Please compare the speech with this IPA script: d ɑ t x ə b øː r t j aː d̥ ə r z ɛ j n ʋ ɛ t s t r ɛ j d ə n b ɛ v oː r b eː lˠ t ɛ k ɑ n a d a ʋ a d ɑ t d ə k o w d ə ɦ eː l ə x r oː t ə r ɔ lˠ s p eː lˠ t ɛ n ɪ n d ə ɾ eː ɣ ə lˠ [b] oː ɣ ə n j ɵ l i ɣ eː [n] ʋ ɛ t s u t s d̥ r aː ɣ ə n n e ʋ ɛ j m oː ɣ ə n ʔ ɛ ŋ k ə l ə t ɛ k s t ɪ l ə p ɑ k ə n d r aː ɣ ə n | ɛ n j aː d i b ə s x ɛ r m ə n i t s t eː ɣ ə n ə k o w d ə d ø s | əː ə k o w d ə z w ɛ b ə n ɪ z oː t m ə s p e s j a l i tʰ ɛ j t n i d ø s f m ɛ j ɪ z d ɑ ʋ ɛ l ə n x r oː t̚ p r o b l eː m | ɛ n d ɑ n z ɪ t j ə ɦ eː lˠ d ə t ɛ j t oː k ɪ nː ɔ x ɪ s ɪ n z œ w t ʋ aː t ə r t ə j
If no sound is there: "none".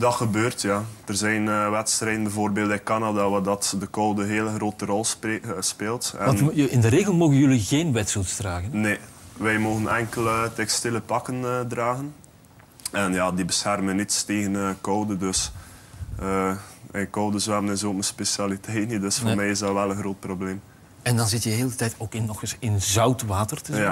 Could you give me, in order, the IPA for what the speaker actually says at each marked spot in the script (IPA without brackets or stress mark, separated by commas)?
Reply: m, n